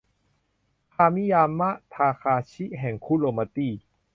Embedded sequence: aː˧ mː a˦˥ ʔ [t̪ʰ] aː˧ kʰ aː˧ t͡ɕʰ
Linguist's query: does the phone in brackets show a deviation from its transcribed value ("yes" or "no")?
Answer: no